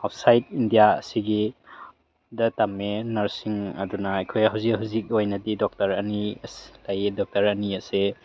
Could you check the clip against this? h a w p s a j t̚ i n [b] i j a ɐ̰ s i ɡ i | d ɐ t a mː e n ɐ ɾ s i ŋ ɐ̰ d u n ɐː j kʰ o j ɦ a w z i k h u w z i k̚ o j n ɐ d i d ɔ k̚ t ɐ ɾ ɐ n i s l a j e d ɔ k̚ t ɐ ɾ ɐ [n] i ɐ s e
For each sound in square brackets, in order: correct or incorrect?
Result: incorrect, correct

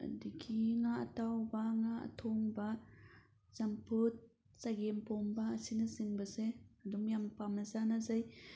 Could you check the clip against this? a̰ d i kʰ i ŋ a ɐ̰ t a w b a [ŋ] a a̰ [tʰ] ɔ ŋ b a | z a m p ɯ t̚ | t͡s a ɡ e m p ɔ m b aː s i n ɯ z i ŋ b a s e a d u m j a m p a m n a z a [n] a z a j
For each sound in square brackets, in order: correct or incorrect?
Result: correct, correct, correct

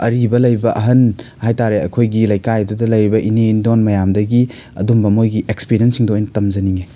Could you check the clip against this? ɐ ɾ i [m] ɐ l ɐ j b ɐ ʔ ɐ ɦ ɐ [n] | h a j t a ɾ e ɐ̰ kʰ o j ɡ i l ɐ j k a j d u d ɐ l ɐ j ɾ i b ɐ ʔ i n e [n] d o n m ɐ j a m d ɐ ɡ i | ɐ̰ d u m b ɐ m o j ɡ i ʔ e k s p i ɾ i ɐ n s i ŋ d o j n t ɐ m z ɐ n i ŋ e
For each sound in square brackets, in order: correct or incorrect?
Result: incorrect, correct, correct

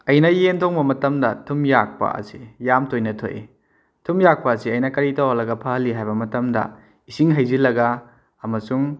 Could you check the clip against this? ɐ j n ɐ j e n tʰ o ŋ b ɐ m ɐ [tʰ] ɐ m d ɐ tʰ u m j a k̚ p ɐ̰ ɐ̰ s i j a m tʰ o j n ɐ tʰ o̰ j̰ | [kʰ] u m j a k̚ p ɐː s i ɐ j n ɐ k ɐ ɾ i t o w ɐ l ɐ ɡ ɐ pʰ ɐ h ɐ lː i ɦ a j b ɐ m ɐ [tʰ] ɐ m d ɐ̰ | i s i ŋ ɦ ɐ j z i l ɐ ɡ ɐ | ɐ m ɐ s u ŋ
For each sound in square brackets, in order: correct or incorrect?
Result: incorrect, incorrect, incorrect

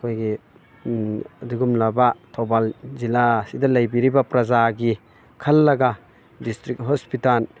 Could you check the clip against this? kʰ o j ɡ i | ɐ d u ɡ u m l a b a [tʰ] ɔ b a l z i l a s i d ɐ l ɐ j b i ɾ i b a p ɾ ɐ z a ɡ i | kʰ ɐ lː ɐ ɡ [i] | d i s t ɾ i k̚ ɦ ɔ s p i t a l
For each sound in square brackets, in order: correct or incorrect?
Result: correct, incorrect

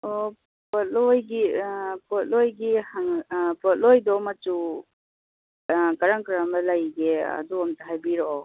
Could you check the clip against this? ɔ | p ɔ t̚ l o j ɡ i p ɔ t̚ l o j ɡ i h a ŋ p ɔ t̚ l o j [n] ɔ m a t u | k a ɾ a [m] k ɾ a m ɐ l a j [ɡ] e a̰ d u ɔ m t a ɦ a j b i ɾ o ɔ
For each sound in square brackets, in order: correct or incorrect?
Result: incorrect, incorrect, correct

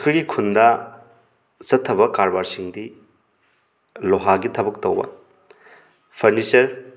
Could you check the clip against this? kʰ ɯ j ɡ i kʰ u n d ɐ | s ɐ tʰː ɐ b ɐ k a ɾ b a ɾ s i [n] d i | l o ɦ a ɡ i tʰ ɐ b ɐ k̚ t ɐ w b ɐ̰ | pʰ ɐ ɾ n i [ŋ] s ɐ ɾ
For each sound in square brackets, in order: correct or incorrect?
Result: incorrect, incorrect

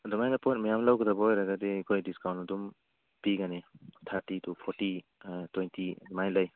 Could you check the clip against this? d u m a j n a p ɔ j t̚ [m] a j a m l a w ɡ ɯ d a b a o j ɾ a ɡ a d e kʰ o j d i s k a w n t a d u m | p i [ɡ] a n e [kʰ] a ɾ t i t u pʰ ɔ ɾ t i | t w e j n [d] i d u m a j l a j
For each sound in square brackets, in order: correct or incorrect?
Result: correct, correct, incorrect, incorrect

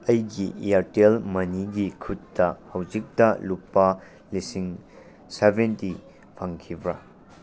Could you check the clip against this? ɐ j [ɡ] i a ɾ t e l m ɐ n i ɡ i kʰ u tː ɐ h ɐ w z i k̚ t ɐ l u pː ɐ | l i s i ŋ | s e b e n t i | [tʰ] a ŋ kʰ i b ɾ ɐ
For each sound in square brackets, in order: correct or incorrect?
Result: correct, incorrect

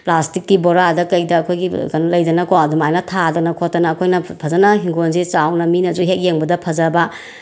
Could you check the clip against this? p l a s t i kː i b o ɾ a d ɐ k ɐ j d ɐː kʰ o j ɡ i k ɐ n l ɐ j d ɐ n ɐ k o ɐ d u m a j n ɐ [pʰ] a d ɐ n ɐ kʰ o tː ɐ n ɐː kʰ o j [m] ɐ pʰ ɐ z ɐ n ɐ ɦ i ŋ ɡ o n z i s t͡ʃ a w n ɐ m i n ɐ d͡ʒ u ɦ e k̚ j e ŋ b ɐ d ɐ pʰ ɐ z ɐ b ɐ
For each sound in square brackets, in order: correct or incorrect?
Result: incorrect, incorrect

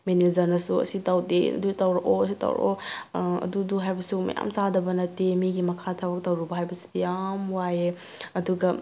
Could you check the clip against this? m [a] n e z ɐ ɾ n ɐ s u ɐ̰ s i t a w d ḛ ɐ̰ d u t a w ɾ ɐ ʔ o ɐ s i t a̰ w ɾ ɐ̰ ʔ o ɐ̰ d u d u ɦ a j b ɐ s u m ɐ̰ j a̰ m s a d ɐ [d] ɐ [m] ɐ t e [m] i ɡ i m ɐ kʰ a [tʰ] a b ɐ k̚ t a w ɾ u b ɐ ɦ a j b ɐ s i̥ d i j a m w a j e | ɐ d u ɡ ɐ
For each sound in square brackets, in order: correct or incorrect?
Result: incorrect, incorrect, incorrect, correct, correct

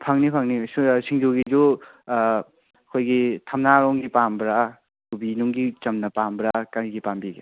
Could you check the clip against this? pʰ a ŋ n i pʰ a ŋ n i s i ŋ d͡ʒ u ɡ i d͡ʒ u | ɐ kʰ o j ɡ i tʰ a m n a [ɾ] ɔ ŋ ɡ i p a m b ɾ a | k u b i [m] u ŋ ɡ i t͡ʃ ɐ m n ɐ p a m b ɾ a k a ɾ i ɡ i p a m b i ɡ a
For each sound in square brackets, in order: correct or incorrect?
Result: correct, incorrect

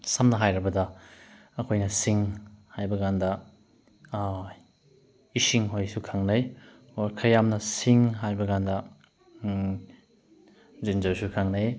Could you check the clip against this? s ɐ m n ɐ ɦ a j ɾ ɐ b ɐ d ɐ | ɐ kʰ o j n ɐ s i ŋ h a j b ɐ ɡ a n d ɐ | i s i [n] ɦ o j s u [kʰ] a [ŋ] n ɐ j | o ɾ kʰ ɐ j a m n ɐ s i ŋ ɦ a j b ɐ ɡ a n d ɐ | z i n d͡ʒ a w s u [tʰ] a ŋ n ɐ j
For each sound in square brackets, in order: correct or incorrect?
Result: incorrect, correct, correct, incorrect

